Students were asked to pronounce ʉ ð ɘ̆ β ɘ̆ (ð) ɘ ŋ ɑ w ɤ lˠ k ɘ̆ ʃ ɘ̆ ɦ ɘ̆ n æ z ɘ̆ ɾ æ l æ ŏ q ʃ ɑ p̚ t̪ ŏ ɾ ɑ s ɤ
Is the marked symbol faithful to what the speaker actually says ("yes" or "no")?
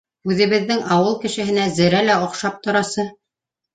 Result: no